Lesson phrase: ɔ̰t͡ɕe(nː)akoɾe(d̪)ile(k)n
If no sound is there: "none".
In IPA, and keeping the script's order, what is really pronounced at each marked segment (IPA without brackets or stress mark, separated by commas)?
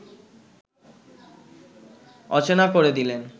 n, d̪, none